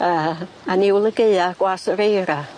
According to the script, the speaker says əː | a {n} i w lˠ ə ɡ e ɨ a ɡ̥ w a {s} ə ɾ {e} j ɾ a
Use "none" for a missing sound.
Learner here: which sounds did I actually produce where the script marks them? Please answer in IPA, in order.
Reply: n, s, e

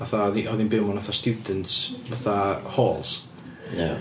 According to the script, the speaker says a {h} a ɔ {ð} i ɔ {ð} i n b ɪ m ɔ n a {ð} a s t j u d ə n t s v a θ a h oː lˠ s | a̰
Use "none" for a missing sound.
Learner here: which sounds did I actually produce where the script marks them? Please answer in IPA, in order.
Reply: θ, ð, ð, θ

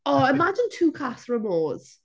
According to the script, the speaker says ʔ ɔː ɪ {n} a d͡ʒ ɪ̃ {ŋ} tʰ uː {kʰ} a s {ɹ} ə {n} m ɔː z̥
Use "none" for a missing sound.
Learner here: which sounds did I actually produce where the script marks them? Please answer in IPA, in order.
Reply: m, n, kʰ, ɹ, none

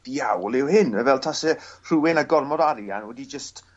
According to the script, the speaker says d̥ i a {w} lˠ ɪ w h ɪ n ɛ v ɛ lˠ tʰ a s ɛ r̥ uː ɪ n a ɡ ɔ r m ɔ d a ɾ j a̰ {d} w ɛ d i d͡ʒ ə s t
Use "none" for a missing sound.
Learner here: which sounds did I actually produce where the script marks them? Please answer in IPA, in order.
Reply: w, n

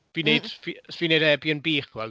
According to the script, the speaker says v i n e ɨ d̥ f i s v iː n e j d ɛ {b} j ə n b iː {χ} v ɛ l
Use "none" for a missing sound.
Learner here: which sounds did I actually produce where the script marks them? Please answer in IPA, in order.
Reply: b, χ

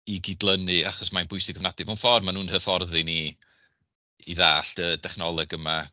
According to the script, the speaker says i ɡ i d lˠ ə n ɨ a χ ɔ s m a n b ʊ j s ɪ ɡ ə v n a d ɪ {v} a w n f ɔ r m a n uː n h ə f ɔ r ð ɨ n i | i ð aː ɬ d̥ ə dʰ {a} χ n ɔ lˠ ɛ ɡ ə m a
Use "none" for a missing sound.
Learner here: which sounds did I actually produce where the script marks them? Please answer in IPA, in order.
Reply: v, ɛ

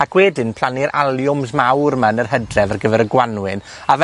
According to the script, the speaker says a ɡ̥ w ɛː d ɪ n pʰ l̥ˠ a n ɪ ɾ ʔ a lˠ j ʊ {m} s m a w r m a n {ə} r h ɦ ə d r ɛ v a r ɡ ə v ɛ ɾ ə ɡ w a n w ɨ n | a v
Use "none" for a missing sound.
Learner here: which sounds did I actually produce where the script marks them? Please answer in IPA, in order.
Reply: m, ə

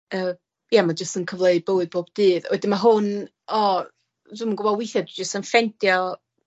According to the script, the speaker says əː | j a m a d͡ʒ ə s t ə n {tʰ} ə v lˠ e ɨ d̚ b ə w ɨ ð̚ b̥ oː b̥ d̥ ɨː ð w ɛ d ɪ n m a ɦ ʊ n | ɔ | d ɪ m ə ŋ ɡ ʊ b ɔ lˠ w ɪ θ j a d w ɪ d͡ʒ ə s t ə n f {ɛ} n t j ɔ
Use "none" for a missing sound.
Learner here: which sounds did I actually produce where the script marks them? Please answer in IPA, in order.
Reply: kʰ, ɛ

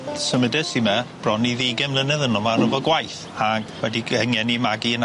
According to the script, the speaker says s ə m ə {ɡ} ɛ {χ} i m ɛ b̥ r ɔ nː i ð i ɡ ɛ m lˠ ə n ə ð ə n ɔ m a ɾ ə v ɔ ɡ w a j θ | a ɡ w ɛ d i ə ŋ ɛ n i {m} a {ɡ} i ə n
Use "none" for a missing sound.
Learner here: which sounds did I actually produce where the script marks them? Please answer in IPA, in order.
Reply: d, s, m, ɡ

